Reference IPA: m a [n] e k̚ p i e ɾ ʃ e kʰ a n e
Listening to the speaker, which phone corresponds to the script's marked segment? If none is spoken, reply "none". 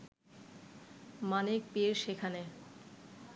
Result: n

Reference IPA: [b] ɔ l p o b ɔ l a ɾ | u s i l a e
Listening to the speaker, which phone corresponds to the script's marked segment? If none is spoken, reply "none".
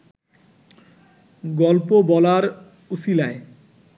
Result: ɡ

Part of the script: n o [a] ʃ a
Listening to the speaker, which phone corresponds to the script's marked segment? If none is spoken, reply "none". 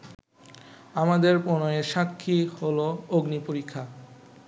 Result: e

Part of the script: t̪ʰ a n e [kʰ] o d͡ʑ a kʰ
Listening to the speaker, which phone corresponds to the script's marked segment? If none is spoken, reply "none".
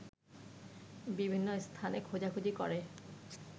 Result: kʰ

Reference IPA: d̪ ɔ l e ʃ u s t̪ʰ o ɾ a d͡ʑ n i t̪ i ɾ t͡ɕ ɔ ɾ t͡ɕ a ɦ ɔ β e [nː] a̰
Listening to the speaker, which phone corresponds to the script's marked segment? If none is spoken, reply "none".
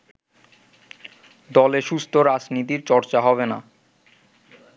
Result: n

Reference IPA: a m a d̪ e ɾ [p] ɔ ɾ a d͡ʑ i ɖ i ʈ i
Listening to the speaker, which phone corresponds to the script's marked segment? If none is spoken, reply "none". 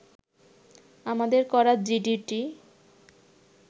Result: k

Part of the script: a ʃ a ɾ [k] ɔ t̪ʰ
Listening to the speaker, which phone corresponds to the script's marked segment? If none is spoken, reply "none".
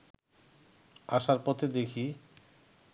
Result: p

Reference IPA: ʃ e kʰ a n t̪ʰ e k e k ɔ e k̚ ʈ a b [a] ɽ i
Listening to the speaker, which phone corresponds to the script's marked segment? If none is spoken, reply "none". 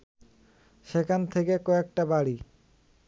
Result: a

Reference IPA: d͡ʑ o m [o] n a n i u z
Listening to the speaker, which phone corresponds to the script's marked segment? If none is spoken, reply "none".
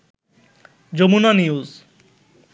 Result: u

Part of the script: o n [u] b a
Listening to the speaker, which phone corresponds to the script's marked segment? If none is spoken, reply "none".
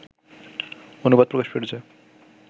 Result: u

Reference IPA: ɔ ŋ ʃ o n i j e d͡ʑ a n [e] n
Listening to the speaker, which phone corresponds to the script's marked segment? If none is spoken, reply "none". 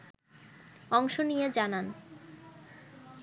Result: a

